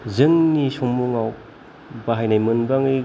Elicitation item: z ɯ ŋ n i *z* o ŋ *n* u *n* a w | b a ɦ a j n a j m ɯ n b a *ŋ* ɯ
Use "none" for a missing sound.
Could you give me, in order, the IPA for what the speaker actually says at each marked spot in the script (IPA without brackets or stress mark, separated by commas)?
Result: s, m, ŋ, ŋ